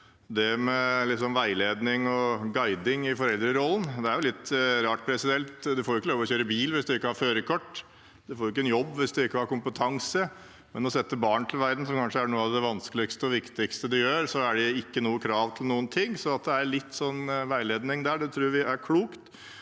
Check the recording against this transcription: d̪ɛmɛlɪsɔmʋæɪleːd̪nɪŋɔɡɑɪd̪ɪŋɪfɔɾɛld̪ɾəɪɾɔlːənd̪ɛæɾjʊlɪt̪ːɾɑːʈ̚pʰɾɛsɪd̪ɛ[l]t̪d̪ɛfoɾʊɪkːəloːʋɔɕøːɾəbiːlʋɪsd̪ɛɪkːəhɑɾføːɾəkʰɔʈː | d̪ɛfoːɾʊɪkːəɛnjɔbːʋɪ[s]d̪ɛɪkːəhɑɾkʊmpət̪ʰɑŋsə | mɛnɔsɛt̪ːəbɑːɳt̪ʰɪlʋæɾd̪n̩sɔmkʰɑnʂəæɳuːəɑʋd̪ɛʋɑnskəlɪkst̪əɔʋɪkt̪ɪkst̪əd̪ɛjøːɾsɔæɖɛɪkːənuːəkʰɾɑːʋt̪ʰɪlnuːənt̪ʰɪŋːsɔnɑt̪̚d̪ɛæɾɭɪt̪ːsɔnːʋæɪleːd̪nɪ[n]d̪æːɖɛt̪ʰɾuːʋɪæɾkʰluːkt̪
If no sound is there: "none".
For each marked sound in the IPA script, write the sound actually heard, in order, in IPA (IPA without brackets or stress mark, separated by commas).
l, s, ŋ